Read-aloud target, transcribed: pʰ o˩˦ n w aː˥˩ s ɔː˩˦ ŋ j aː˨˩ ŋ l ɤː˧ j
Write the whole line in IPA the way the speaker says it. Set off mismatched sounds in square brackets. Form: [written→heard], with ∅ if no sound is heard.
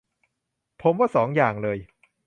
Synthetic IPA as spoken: pʰ o˩˦ [n→m] w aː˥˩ s ɔː˩˦ ŋ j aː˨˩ ŋ l ɤː˧ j